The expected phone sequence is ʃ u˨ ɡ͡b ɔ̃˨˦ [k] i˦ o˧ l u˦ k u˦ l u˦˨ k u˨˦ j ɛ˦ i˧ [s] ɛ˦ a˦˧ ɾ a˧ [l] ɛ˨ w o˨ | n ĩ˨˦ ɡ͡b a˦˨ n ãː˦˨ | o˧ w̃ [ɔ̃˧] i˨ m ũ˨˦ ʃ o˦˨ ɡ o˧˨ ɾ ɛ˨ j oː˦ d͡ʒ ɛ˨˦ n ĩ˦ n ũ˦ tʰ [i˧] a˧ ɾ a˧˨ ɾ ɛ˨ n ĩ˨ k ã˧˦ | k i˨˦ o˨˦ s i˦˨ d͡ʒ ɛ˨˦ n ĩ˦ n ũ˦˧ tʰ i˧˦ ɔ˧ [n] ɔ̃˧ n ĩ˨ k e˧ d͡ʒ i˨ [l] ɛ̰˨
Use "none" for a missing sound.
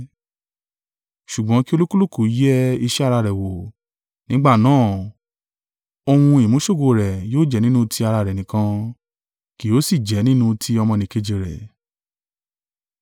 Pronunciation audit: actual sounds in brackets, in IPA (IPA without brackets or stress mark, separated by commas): k, ʃ, ɾ, ũ˧, i˧, m, ɾ